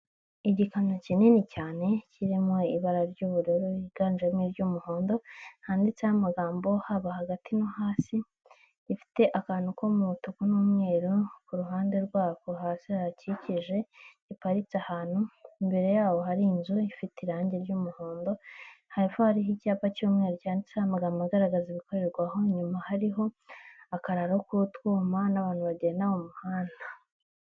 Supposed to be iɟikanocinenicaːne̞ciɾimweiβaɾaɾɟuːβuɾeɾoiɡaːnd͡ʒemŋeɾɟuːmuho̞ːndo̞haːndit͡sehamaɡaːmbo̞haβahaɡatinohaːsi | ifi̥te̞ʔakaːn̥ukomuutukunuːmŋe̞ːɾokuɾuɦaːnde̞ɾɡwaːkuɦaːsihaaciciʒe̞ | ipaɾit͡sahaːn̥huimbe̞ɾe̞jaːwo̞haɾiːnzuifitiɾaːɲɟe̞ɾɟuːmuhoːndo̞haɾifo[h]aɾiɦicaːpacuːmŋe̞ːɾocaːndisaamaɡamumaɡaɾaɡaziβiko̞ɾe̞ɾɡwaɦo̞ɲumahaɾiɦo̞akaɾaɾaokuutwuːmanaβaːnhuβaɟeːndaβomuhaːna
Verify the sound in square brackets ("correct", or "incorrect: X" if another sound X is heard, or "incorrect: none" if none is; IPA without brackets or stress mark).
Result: correct